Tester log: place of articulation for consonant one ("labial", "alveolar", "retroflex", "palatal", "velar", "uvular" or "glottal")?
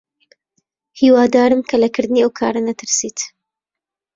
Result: glottal